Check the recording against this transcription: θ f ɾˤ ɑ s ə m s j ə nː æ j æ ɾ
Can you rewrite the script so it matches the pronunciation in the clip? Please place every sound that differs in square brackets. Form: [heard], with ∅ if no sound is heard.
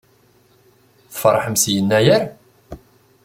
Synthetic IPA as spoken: θ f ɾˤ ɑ [ħ] ə m s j ə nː æ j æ ɾ